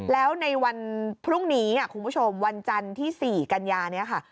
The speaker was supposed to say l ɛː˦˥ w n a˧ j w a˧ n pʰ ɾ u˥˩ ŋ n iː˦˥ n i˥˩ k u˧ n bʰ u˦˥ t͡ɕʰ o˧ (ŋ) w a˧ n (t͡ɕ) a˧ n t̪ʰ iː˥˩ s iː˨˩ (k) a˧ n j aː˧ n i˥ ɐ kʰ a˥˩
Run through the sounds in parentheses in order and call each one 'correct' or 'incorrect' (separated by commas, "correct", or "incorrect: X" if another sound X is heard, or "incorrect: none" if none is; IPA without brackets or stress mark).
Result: incorrect: m, correct, correct